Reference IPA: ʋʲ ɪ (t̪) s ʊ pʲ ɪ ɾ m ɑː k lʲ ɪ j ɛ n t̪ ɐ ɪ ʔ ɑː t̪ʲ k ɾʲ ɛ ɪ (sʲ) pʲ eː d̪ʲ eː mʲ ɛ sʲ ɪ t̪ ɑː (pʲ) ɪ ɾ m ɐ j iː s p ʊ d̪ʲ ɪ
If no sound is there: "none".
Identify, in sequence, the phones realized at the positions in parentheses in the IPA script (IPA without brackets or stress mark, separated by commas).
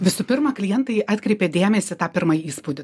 none, none, pʲ